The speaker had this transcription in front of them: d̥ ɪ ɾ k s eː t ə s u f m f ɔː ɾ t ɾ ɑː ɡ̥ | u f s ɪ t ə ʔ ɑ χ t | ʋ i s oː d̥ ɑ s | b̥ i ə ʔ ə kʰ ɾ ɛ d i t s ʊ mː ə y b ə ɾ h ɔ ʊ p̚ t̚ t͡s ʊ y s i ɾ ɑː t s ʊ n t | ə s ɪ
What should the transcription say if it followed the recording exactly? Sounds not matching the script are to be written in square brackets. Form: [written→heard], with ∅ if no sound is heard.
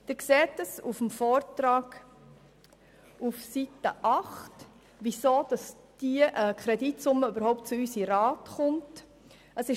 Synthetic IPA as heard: d̥ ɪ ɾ k s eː t ə s u f m f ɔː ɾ t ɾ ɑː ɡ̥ | u f s [ɪ→i] t ə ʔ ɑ χ t | ʋ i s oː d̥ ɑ s | [b̥→d̥] i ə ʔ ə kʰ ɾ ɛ d i t s ʊ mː ə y b ə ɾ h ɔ ʊ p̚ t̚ t͡s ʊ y s i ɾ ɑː t [s→χ] ʊ n t | ə s ɪ